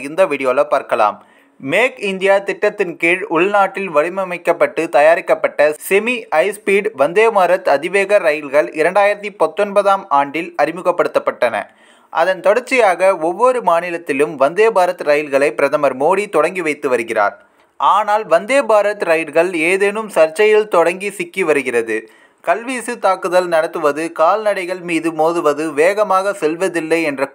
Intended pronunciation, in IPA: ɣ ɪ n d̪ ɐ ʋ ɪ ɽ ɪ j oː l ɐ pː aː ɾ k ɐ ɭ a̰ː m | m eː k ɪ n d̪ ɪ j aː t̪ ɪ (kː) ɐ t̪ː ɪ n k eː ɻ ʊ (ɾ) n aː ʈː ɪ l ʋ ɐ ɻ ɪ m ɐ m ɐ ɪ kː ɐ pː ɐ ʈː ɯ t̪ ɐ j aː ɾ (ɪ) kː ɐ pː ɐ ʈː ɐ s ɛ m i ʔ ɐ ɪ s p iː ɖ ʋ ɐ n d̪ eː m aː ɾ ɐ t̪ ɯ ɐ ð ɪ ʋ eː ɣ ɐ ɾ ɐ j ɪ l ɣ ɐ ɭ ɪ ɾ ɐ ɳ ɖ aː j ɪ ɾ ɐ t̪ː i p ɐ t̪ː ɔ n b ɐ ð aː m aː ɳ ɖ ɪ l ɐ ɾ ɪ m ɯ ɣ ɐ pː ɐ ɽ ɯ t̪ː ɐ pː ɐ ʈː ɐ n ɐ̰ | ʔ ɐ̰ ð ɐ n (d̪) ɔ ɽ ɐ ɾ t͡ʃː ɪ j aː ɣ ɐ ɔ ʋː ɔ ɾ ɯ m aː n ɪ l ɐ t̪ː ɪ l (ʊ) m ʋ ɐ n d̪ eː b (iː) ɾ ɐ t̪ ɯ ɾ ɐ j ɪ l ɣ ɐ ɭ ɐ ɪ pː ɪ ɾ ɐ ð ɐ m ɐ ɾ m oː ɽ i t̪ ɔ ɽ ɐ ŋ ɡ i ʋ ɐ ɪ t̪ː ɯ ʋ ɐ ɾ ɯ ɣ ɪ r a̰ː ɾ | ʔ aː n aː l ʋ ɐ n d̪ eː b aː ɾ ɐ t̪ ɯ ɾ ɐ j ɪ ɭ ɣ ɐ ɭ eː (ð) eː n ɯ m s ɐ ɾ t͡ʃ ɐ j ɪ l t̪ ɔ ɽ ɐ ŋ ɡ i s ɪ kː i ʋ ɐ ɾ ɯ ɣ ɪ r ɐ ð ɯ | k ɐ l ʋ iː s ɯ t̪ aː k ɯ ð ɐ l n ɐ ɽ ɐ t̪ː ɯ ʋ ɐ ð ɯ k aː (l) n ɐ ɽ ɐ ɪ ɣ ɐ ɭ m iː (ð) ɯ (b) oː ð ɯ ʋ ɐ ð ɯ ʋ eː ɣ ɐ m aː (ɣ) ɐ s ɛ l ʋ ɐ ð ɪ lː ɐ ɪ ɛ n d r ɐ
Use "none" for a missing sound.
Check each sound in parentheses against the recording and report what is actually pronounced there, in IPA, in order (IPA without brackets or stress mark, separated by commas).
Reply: ʈː, ɭ, ɪ, t̪, ɯ, aː, ð, l, ð, m, ɣ